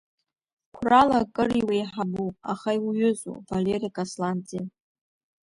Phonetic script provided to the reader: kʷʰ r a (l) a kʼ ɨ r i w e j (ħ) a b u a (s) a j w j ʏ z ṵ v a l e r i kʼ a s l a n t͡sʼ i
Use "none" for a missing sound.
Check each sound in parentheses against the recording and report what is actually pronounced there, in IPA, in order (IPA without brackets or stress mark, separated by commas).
l, ħ, χ